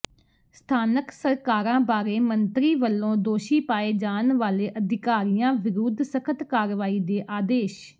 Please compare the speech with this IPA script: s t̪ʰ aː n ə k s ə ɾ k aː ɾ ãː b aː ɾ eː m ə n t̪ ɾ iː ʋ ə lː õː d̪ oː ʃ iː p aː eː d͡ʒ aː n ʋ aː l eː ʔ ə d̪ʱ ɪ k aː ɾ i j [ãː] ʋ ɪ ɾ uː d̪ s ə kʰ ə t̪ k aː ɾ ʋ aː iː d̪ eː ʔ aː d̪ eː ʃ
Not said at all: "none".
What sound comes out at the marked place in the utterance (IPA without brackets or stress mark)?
ãː